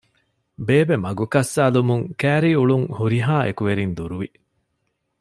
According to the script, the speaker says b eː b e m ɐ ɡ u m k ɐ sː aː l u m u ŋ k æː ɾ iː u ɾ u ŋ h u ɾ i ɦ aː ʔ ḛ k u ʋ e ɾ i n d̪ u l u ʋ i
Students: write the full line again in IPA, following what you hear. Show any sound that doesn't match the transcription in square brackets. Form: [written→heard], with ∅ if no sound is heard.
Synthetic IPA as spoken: b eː b e m ɐ ɡ u [m→∅] k ɐ sː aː l u m u ŋ k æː ɾ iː u [ɾ→ɭ] u ŋ h u ɾ i ɦ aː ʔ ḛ k u ʋ e ɾ i n d̪ u [l→ɾ] u ʋ i